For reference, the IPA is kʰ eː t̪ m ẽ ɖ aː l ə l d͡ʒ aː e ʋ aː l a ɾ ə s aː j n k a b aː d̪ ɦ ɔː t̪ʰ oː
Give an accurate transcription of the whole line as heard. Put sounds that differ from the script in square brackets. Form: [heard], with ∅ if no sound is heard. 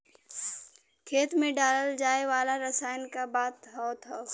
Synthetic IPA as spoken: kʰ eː t̪ m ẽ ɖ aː l ə l d͡ʒ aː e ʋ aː l a ɾ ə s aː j n k a b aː [t̪] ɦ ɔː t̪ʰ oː